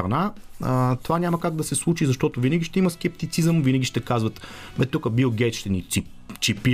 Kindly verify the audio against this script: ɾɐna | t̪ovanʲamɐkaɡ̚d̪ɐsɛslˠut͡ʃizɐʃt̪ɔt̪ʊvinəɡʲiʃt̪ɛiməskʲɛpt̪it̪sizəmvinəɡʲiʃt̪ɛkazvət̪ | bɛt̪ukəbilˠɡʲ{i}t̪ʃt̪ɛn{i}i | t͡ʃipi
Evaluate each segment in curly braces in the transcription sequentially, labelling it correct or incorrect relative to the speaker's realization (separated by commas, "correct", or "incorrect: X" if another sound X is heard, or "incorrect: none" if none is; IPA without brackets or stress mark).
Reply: incorrect: ɛ, correct